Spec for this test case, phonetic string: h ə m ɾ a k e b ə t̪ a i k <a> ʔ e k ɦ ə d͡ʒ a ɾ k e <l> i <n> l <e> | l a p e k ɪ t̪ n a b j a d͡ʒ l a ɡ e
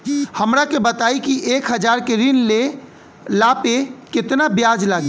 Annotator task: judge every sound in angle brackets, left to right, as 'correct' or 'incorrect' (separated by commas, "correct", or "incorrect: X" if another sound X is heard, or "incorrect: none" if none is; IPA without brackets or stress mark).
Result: incorrect: i, incorrect: ɾ, correct, correct